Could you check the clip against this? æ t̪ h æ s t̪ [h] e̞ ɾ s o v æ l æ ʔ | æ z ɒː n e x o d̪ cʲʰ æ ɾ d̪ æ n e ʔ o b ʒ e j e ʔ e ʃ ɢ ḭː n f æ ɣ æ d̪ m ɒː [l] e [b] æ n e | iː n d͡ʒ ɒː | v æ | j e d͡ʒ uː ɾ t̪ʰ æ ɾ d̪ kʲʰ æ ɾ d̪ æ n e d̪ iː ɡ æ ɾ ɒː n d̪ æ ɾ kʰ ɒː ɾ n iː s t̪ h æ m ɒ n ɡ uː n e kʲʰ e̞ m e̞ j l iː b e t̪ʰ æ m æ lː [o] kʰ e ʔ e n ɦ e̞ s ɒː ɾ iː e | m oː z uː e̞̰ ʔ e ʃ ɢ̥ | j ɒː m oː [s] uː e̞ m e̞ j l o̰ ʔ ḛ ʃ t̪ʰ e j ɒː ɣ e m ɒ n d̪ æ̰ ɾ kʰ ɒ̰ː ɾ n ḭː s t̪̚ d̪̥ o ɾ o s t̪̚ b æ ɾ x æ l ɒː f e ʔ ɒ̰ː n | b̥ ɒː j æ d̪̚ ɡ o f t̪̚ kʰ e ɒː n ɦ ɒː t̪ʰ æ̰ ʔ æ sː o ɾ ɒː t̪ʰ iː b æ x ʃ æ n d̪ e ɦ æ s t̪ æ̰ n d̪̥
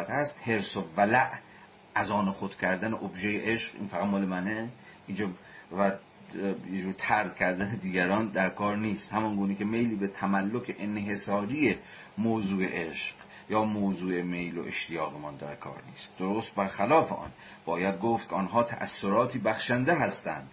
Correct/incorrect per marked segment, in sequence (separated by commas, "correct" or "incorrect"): correct, correct, incorrect, correct, incorrect